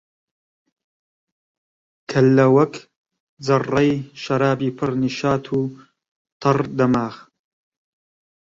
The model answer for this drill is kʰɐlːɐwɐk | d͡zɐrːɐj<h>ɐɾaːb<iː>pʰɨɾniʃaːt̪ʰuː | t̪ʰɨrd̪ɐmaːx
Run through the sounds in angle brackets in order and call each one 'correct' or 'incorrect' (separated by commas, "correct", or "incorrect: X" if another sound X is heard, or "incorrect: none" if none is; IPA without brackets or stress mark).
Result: incorrect: ʃ, correct